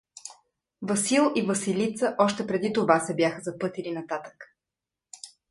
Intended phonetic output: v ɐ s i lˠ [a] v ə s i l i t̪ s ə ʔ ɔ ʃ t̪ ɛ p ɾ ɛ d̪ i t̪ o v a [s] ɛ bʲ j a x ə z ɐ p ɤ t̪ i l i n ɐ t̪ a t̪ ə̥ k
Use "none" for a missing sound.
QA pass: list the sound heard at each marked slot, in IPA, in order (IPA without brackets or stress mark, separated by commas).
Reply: i, s